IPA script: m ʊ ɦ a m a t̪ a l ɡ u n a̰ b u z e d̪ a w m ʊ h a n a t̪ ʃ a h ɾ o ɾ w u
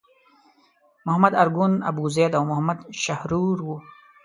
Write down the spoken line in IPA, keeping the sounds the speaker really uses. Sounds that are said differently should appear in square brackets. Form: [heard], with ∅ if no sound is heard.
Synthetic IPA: m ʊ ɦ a m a [d̪] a [ɾ] ɡ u n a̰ b u z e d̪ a w m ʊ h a [m] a [d̪] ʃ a h ɾ [u] ɾ w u